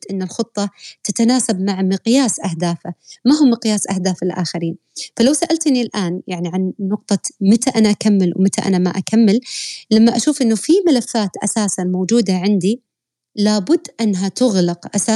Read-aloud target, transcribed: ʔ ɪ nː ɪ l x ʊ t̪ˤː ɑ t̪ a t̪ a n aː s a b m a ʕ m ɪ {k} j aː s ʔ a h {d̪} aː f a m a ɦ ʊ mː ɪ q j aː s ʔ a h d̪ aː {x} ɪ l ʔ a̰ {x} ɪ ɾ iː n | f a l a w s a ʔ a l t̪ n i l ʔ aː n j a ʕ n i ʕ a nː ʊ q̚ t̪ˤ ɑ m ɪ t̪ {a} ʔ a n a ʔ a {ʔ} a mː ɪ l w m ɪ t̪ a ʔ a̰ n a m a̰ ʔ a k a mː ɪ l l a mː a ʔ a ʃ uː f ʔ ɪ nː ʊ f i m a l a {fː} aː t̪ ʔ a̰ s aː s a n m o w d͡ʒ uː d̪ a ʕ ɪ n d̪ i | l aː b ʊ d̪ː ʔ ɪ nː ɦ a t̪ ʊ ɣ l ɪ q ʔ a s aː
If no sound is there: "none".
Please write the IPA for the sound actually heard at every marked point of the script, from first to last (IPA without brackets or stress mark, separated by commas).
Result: q, d̪, f, x, a, k, fː